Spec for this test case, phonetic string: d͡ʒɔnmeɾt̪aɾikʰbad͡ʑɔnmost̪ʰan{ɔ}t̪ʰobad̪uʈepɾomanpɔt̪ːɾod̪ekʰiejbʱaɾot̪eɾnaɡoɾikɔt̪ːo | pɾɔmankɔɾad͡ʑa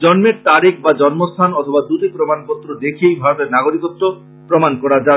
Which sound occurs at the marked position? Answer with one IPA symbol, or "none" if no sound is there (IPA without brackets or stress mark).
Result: ɔ